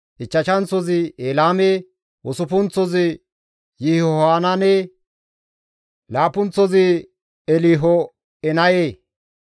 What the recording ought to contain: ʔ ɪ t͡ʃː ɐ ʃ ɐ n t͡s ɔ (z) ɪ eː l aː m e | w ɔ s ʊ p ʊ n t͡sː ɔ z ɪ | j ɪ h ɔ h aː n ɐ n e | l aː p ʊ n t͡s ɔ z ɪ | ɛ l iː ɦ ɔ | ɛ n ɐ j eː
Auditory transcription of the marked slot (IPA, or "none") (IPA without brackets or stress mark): z